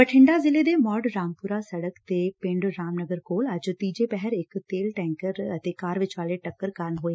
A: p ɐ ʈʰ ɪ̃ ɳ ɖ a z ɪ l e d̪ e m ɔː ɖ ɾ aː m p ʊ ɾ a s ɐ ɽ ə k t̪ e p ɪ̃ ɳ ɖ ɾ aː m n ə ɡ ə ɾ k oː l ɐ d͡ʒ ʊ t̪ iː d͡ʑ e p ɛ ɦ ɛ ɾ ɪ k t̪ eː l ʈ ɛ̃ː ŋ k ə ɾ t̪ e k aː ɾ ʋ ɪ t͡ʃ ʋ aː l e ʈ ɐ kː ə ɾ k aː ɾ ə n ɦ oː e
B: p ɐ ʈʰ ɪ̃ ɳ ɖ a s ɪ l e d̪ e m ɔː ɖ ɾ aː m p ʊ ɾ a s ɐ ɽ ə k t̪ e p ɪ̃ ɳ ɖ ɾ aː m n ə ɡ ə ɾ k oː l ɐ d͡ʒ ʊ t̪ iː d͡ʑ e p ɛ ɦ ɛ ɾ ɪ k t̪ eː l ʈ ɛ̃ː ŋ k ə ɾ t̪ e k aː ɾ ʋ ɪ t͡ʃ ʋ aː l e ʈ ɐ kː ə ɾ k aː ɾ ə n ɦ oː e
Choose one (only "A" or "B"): A